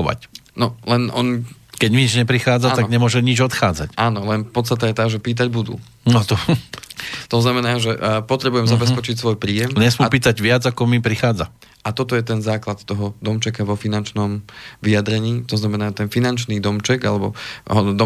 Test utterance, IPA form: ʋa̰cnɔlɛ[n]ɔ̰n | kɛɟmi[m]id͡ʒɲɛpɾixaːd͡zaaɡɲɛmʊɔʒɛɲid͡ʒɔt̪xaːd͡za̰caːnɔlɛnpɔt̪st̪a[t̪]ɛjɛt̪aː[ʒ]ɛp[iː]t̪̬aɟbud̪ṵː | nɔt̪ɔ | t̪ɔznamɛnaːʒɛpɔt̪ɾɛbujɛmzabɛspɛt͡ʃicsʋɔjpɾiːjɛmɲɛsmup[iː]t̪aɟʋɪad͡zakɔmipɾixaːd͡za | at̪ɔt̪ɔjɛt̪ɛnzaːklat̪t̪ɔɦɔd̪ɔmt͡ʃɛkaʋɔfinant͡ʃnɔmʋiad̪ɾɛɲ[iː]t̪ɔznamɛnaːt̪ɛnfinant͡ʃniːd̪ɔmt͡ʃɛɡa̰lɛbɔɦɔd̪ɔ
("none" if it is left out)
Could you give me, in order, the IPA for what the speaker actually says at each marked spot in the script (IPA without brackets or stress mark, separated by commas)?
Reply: n, ɲ, t̪, ʒ, iː, iː, iː